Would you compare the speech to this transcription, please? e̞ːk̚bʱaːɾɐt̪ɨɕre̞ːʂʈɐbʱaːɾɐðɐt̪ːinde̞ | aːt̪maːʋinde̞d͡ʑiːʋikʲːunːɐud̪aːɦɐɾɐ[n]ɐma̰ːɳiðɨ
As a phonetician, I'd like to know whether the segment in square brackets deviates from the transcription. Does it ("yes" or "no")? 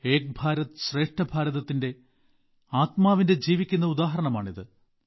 yes